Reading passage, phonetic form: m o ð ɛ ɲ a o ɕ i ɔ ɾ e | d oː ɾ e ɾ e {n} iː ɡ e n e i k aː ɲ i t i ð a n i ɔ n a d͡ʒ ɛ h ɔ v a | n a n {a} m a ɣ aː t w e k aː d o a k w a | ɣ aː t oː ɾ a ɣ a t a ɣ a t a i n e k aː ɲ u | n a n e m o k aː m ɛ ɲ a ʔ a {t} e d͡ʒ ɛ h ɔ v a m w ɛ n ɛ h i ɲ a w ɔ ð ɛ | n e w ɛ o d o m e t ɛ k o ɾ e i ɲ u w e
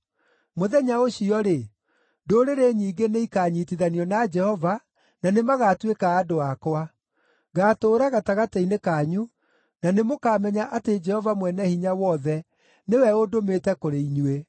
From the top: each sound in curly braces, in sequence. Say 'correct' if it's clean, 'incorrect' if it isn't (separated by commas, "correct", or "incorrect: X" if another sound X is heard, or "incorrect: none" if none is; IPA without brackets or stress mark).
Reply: incorrect: ɲ, incorrect: e, correct